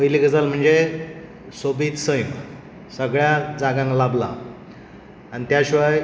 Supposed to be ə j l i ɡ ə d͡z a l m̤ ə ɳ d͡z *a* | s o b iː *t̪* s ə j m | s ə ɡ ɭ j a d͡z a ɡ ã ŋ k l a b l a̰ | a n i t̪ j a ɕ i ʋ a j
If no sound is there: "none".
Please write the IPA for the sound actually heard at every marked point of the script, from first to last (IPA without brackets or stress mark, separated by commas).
e, t̪